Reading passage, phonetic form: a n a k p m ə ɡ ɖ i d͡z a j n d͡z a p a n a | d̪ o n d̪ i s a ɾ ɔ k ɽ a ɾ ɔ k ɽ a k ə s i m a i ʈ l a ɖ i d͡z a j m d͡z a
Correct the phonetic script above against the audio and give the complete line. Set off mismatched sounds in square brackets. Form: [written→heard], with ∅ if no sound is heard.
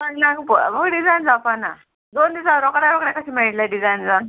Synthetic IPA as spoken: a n a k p m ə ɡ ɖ i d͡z a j n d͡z a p a n a | d̪ o n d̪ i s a ɾ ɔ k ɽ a ɾ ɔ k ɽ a k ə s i m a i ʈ l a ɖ i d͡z a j [m→n] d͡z a